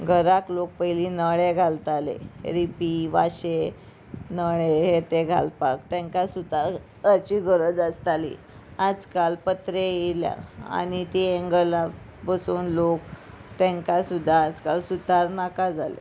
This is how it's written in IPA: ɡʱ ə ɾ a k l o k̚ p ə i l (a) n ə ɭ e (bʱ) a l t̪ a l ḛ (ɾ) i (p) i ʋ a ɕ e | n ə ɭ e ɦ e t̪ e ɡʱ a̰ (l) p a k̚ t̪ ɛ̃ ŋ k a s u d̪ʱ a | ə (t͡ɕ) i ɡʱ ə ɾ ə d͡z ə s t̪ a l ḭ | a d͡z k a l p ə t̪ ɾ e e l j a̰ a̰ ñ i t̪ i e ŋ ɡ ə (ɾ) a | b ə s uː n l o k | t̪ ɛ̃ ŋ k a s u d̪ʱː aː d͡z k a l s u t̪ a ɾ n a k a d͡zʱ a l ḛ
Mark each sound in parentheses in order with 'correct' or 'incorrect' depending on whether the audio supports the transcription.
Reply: incorrect, incorrect, correct, correct, correct, correct, incorrect

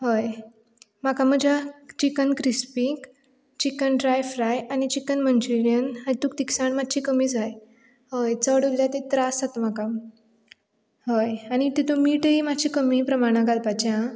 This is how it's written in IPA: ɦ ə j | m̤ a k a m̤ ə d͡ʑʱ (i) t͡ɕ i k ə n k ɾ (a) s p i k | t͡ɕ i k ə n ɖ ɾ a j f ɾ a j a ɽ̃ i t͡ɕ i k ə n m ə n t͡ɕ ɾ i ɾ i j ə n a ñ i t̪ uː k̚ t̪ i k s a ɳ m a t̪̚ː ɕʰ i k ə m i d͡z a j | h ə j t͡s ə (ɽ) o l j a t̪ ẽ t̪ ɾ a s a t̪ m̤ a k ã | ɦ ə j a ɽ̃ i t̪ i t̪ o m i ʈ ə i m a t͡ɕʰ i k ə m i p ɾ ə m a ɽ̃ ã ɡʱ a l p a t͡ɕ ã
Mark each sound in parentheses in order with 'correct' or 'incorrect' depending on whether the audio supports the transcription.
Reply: incorrect, incorrect, correct

